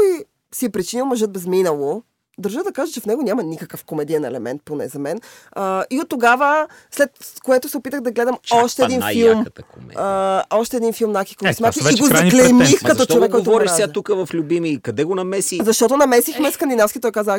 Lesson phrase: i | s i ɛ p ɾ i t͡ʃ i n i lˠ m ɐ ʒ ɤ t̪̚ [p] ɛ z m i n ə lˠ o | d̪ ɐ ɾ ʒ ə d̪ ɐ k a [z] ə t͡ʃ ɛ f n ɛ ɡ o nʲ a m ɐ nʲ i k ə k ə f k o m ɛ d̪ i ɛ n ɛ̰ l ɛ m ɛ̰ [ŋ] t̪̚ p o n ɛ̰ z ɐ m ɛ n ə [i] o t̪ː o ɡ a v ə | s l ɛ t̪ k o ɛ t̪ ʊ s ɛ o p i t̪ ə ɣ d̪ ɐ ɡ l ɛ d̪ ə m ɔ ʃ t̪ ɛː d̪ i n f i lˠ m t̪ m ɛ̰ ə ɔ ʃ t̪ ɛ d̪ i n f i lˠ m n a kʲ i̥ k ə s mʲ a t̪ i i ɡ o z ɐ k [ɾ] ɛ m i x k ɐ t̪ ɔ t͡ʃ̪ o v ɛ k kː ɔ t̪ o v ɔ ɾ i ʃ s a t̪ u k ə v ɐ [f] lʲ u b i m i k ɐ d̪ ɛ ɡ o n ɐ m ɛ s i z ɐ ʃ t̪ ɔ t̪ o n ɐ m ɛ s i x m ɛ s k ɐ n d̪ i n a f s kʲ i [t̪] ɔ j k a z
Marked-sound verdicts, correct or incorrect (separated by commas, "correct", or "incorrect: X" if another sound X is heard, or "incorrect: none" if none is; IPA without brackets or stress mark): incorrect: b, incorrect: ʒ, incorrect: n, correct, incorrect: l, correct, correct